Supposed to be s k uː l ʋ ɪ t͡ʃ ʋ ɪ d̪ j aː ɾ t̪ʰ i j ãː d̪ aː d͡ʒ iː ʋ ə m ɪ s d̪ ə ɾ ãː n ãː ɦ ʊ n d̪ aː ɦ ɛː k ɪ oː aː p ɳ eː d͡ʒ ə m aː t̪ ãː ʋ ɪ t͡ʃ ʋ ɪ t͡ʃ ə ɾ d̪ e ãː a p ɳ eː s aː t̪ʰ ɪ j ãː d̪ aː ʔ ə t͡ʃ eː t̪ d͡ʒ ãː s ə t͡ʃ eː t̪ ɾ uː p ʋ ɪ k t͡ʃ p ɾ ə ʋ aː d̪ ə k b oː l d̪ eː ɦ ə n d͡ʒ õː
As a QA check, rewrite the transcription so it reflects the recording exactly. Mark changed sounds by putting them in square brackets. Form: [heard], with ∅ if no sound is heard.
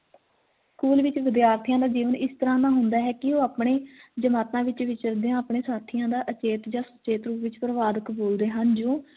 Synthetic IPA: s k uː l ʋ ɪ t͡ʃ ʋ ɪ d̪ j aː ɾ t̪ʰ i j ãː d̪ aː d͡ʒ iː ʋ ə [n] ɪ s [t̪] ə ɾ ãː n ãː ɦ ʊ n d̪ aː ɦ ɛː k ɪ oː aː p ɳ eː d͡ʒ ə m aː t̪ ãː ʋ ɪ t͡ʃ ʋ ɪ t͡ʃ ə ɾ d̪ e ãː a p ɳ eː s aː t̪ʰ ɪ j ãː d̪ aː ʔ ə t͡ʃ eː t̪ d͡ʒ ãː s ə t͡ʃ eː t̪ ɾ uː p ʋ ɪ [∅] t͡ʃ p ɾ ə ʋ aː d̪ ə k b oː l d̪ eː ɦ ə n d͡ʒ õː

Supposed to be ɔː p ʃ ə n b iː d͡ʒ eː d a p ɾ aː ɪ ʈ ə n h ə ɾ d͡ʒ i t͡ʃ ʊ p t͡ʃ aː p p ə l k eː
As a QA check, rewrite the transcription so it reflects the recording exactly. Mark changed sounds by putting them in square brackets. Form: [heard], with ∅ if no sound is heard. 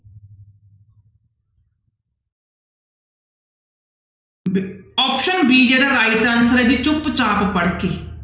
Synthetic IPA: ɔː p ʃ ə n b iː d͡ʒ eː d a [∅] ɾ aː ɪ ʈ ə n [s] ə ɾ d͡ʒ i t͡ʃ ʊ p t͡ʃ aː p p ə [ɽ] k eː

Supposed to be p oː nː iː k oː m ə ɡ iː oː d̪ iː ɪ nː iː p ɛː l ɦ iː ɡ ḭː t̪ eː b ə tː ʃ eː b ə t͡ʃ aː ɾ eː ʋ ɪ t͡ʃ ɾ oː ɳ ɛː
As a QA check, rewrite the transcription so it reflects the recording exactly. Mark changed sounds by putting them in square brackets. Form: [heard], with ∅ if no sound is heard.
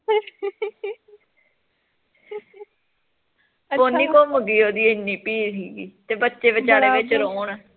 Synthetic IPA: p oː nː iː k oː m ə ɡ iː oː d̪ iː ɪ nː iː p [iː] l ɦ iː ɡ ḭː t̪ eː b ə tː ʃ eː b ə t͡ʃ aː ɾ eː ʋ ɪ t͡ʃ ɾ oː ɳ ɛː

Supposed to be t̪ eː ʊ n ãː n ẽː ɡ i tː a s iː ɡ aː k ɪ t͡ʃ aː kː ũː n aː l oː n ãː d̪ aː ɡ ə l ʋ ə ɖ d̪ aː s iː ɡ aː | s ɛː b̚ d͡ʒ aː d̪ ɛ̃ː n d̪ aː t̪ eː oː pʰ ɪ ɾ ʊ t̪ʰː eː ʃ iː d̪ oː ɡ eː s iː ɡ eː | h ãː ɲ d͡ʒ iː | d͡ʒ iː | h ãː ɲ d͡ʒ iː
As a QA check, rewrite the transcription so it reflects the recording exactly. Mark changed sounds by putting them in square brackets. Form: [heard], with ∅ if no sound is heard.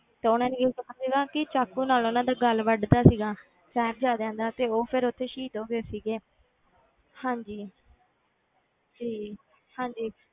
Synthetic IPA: t̪ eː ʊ n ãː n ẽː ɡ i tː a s iː ɡ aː k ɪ t͡ʃ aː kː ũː n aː l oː n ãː d̪ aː ɡ ə l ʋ ə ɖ d̪ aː s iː ɡ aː | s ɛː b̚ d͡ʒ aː d̪ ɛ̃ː n d̪ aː t̪ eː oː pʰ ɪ ɾ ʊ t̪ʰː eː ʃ iː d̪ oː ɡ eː s iː ɡ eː | h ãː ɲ d͡ʒ iː | d͡ʒ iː | h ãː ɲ d͡ʒ iː

